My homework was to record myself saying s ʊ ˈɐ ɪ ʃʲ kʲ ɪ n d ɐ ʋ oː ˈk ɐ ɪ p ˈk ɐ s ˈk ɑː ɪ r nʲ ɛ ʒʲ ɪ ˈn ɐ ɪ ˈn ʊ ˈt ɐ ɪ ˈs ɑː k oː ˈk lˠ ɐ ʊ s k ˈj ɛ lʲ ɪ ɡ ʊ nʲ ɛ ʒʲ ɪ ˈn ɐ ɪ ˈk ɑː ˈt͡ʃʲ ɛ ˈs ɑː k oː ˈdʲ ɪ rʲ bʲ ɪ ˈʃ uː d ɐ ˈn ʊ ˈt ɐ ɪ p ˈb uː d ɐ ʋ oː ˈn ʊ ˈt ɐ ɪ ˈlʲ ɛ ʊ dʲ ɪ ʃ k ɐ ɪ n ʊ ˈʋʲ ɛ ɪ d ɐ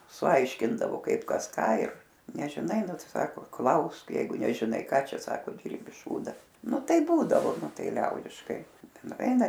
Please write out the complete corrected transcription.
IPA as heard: s ʊ ˈɐ ɪ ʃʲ kʲ ɪ n d ɐ ʋ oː ˈk ɐ ɪ p ˈk ɐ s ˈk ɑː ɪ r nʲ ɛ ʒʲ ɪ ˈn ɐ ɪ ˈn ʊ ˈt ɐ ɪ ˈs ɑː k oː ˈk lˠ ɐ ʊ s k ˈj ɛ ɪ ɡ ʊ nʲ ɛ ʒʲ ɪ ˈn ɐ ɪ ˈk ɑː ˈt͡ʃʲ ɛ ˈs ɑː k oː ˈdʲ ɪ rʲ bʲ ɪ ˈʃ uː d ɐ ˈn ʊ ˈt ɐ ɪ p ˈb uː d ɐ ʋ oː ˈn ʊ ˈt ɐ ɪ ˈlʲ ɛ ʊ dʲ ɪ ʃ k ɐ ɪ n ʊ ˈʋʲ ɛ ɪ n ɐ